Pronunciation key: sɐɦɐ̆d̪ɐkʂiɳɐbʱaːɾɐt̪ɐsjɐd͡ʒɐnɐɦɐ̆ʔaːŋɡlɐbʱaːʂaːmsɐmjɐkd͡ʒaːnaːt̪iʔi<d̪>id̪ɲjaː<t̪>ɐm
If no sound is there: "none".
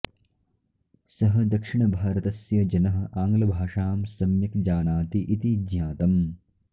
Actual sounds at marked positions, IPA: t̪, t̪

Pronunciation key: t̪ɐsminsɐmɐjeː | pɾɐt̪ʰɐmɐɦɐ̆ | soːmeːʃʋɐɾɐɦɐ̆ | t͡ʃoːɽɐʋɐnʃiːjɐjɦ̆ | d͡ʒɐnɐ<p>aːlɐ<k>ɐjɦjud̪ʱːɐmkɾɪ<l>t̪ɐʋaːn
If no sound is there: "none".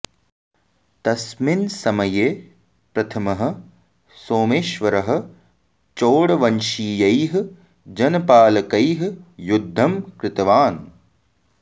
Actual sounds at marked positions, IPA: p, k, none

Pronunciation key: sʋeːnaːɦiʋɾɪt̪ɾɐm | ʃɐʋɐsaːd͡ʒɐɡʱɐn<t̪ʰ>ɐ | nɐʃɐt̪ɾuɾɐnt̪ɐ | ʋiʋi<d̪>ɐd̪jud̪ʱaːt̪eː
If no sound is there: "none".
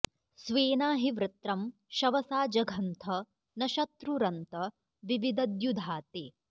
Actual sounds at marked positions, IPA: t̪ʰ, d̪

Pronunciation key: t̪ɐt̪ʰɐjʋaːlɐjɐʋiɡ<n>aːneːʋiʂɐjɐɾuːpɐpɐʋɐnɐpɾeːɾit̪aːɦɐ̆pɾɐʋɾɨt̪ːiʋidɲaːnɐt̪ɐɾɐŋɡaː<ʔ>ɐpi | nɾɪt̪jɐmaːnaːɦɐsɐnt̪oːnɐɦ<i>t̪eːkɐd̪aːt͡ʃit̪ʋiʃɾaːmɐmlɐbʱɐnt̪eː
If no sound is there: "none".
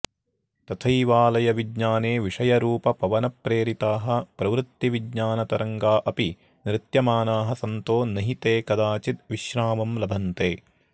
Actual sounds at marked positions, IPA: ɲ, ʔ, i

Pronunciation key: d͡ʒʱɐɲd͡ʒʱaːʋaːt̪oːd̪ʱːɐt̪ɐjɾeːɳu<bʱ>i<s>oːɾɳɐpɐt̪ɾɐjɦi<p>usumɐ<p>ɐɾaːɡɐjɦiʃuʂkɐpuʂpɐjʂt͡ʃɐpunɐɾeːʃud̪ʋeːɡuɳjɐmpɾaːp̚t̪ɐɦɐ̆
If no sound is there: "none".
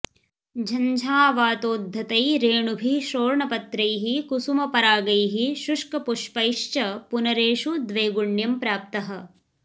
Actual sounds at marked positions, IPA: bʱ, ʃ, k, p

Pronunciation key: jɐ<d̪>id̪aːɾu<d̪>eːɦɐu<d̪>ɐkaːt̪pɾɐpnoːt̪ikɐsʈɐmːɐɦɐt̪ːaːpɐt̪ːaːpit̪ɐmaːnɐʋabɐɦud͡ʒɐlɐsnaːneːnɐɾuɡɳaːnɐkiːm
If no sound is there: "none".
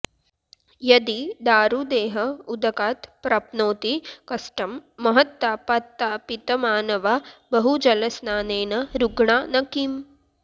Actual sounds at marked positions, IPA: d̪, d̪, d̪

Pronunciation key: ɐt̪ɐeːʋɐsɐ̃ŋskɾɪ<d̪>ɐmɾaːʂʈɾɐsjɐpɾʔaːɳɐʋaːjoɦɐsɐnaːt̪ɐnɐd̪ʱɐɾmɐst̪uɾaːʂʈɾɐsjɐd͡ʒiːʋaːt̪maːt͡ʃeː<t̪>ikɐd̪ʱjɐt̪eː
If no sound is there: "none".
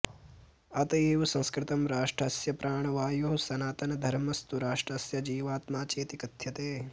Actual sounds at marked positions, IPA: t̪, t̪

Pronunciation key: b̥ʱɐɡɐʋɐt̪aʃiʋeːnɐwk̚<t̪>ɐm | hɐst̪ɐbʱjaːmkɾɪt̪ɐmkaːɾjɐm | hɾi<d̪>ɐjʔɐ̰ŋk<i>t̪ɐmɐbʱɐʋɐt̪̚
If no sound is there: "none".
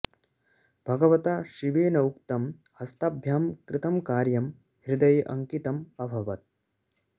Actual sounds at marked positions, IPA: t̪, d̪, i

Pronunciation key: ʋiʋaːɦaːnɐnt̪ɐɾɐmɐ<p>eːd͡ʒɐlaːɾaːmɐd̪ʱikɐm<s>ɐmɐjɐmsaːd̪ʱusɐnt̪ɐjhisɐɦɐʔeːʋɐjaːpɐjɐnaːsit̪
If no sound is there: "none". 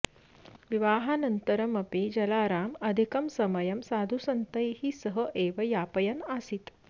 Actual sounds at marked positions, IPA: p, s

